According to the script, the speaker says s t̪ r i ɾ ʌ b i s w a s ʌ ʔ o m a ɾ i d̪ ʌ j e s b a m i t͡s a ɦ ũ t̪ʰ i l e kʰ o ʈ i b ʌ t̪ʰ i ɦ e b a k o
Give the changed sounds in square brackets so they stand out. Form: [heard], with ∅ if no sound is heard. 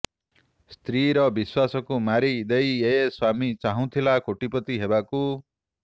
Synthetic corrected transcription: s t̪ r i ɾ ʌ b i s w a s ʌ [k] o m a ɾ i d̪ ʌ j e s [w] a m i t͡s a ɦ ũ t̪ʰ i l [a] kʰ o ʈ i [p] ʌ [t̪] i ɦ e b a k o